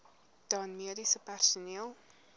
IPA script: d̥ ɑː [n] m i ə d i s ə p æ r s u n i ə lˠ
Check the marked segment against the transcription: correct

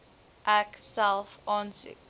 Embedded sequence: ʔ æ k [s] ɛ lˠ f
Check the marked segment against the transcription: correct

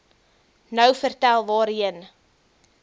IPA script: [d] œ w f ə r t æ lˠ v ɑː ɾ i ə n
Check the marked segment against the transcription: incorrect: n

